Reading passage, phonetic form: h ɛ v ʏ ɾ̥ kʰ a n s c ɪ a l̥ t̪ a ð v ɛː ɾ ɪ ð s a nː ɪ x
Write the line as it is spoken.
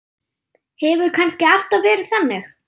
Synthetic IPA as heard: h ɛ v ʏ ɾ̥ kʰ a n s c ɪ a l̥ t̪ a v v ɛː ɾ ɪ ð θ a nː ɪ x